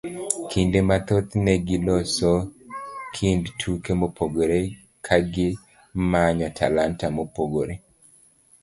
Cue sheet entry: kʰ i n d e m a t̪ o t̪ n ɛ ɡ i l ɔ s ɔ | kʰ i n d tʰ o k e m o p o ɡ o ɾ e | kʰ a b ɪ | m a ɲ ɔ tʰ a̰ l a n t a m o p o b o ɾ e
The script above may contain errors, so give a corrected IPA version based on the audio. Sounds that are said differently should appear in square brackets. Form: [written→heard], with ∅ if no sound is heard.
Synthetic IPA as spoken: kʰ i n d e m a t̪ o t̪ n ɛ ɡ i l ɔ s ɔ | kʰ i n d tʰ [o→u] k e m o p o ɡ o ɾ e | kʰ a [b→ɡ] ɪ | m a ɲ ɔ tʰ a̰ l a n t a m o p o [b→ɡ] o ɾ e